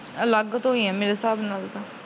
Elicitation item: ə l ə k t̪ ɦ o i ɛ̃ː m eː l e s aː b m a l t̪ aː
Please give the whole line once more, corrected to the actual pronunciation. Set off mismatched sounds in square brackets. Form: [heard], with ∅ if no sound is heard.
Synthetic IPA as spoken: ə l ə [ɡ] t̪ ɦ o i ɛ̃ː m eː [ɾ] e s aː b [n] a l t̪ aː